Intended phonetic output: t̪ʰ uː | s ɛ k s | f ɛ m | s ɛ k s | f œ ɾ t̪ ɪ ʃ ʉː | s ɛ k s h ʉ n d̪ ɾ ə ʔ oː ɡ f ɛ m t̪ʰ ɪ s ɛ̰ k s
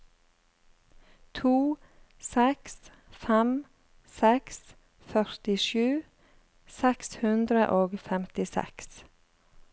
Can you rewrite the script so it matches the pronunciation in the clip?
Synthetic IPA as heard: t̪ʰ uː | s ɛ k s | f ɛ m | s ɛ k s | f œ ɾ t̪ ɪ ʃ ʉː | s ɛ k s h ʉ n d̪ ɾ ə ʔ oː ɡ f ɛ m t̪ ɪ s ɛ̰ k s